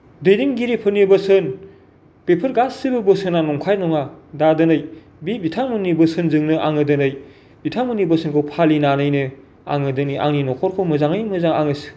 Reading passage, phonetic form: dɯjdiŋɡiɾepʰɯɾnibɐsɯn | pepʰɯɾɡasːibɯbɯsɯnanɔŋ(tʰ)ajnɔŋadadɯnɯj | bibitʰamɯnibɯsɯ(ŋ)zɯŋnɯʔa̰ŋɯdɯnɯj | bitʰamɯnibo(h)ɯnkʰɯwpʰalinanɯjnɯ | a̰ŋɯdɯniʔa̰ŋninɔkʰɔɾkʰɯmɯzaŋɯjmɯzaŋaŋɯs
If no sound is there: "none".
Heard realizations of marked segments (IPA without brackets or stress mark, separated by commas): kʰ, n, s